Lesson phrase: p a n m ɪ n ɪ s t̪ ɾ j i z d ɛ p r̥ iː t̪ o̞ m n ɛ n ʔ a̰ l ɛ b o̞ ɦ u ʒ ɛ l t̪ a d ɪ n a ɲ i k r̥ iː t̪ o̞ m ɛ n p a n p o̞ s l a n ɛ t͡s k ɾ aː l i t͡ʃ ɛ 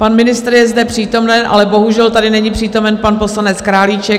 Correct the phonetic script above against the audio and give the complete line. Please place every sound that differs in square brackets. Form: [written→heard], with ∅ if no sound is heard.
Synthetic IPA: p a n m ɪ n ɪ s t̪ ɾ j [i→ɛ] z d ɛ p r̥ iː t̪ o̞ m n ɛ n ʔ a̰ l ɛ b o̞ ɦ u ʒ ɛ l t̪ a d ɪ n [a→ɛ] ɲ i [k→p] r̥ iː t̪ o̞ m ɛ n p a n p o̞ s l a n ɛ t͡s k ɾ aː l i t͡ʃ ɛ